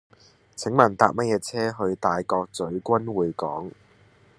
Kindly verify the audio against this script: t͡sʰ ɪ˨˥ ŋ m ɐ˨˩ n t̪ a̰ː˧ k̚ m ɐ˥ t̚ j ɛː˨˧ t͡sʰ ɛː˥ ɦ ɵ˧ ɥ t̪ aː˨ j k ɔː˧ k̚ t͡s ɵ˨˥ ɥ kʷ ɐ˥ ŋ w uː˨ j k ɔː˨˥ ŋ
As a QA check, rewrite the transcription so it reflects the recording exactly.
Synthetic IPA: t͡sʰ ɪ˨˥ ŋ m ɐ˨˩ n t̪ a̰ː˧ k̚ m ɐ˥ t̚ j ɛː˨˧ t͡sʰ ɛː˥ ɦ ɵ˧ ɥ t̪ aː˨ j k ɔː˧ k̚ t͡s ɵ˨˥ ɥ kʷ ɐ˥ n w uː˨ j k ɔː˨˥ ŋ